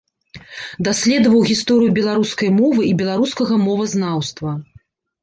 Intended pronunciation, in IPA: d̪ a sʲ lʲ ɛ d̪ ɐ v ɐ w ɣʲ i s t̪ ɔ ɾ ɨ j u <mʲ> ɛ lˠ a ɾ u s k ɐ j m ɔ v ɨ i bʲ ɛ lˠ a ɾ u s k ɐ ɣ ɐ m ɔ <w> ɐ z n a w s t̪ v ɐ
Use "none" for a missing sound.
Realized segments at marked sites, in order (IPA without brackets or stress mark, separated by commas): bʲ, v